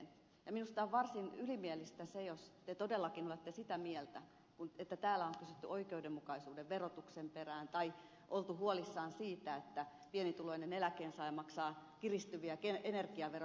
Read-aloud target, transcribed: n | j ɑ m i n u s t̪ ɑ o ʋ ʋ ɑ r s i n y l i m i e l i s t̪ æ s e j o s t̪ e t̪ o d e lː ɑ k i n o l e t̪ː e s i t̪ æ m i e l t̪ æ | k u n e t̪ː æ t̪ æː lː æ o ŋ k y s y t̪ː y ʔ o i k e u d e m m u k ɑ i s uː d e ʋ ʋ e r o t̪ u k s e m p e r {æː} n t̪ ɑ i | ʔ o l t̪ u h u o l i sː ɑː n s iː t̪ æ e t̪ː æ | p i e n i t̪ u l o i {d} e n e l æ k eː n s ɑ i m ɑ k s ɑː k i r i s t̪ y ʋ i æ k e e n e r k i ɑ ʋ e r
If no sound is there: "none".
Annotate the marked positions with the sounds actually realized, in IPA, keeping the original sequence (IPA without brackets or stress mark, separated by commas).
æː, n